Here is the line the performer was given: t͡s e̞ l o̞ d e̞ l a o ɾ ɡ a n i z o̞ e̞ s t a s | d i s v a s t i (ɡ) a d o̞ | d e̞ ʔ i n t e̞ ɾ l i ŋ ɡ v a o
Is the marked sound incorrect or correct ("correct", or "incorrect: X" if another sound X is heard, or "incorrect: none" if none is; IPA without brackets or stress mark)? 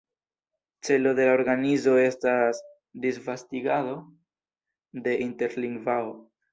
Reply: correct